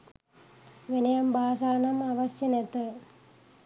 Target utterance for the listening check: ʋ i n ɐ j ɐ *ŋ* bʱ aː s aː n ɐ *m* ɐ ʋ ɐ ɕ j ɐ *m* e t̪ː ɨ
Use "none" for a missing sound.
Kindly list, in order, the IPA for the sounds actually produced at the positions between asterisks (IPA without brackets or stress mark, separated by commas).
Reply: m, m, n